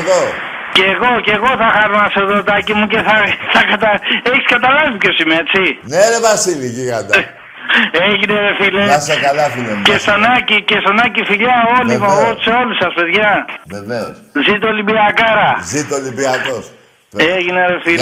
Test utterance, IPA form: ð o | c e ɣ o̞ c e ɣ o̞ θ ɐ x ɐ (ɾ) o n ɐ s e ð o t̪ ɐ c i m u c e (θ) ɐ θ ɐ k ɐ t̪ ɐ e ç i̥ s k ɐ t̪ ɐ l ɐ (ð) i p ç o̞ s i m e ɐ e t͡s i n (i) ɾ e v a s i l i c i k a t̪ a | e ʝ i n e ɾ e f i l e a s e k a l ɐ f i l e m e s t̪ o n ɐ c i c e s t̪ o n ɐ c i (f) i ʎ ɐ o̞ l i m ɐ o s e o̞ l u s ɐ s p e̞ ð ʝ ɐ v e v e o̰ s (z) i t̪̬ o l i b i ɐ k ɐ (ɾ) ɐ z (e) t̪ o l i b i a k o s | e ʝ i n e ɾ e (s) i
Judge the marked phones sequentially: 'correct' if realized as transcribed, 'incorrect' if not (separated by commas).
correct, correct, incorrect, incorrect, correct, correct, correct, incorrect, incorrect